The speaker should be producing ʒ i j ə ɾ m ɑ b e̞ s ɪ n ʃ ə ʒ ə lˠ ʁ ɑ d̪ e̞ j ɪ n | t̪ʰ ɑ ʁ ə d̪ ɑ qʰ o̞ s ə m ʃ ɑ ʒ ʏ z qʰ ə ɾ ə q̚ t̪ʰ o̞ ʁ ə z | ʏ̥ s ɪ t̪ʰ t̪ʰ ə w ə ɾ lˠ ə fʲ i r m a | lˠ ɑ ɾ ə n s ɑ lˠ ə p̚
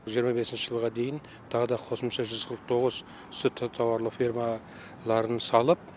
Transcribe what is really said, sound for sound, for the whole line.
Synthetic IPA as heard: ʒ i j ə ɾ m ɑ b e̞ s ɪ n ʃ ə ʒ ə lˠ ʁ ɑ d̪ e̞ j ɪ n | t̪ʰ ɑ ʁ ə d̪ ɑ qʰ o̞ s ə m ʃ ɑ ʒ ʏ z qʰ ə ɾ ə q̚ t̪ʰ o̞ ʁ ə z | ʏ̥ s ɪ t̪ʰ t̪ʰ ɑ w ɑ ɾ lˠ ə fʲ i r m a | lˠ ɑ ɾ ə n s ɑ lˠ ə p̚